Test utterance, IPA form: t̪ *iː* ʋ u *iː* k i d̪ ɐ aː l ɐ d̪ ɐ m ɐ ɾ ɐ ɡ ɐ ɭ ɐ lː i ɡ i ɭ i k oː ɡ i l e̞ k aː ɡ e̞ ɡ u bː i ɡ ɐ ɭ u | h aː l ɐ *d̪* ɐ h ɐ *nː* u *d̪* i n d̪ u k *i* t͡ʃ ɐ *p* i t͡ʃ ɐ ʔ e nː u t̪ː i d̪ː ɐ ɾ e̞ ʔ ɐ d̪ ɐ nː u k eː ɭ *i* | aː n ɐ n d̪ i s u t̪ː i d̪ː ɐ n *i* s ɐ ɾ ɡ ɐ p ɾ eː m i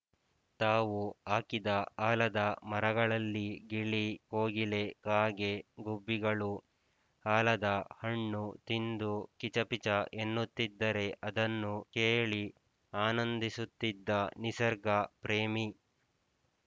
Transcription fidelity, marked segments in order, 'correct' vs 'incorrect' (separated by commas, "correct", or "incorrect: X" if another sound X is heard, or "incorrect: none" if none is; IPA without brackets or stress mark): incorrect: aː, incorrect: aː, correct, incorrect: ɳː, incorrect: t̪, correct, correct, correct, correct